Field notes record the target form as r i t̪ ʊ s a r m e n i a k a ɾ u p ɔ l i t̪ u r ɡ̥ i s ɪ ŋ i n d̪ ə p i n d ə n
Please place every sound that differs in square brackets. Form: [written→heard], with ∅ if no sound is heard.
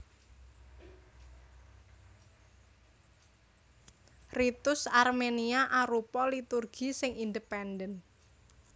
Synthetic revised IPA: r i t̪ ʊ s a r m e n i a [k→ʔ] a ɾ u p ɔ l i t̪ u r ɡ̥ i s ɪ ŋ i n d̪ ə p [i→ɛ] n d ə n